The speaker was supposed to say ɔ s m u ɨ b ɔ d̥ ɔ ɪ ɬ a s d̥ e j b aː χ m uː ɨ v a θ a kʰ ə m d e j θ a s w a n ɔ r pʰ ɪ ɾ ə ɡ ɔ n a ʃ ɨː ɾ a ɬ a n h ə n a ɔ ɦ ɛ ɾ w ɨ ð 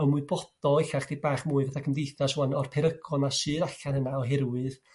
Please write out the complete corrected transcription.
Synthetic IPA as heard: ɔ m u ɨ b ɔ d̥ ɔ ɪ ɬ a χ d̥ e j b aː χ m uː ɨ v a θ a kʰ ə m d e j θ a s w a n ɔ r pʰ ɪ ɾ ə ɡ ɔ n a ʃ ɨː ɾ a ɬ a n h ə n a ɔ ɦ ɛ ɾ w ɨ ð

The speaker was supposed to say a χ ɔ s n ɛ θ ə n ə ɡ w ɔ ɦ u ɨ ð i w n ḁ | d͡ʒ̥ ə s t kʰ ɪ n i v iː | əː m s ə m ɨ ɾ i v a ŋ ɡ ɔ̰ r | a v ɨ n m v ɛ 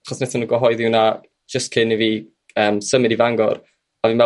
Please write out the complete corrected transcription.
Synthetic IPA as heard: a χ ɔ s n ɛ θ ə n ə ɡ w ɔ ɦ ɔ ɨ ð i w n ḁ | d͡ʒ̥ ə s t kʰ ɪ n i v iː | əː m s ə m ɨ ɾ i v a ŋ ɡ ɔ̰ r | a v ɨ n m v ɛ

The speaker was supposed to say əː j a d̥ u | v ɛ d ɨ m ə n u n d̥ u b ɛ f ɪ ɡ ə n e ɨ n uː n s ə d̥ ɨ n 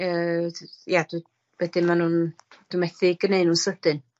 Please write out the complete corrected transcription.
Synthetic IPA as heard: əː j a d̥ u | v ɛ d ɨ m a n u n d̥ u m ɛ θ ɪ ɡ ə n e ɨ n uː n s ə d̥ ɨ n

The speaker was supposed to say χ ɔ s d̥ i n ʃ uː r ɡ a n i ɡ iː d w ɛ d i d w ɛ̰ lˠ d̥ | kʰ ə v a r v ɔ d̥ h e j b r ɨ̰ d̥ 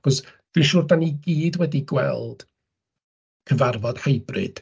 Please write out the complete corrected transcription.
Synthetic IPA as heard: χ ɔ s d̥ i n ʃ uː r d a n i ɡ iː d w ɛ d i ɡ w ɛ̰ lˠ d̥ | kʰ ə v a r v ɔ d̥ h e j b r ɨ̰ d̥

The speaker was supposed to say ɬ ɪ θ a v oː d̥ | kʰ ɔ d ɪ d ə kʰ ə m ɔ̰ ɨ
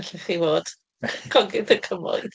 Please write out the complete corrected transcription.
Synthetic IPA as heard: ɬ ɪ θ i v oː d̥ | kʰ ɔ ɡ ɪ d ə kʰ ə m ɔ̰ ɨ

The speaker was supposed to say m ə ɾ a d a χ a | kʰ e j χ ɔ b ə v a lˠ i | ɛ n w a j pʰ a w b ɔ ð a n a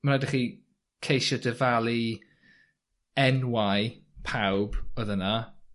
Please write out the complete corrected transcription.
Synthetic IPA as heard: m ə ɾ a d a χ i | kʰ e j ʃ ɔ d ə v a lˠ i | ɛ n w a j pʰ a w b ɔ ð ə n a

